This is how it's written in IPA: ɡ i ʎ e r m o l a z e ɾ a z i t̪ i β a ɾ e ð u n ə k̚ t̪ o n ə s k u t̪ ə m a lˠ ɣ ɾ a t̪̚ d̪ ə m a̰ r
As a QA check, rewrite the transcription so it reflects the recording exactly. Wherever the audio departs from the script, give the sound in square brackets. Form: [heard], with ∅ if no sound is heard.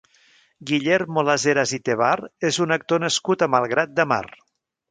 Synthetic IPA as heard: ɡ i ʎ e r m o l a z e ɾ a z i t̪ [e] β a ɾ e [z] u n ə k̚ t̪ o n ə s k u t̪ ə m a lˠ ɣ ɾ a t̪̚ d̪ ə m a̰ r